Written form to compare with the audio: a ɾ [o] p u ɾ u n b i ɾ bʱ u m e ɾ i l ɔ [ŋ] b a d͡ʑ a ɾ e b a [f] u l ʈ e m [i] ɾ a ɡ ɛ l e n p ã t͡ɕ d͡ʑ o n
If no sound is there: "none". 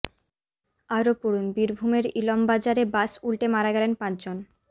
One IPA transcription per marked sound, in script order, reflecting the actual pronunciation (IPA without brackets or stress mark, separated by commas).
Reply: o, m, s, a